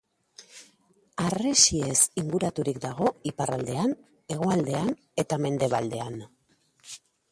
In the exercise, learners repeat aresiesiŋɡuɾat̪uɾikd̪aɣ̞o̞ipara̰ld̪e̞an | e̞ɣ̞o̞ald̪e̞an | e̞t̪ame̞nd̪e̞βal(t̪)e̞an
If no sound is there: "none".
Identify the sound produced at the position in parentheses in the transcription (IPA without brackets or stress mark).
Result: d̪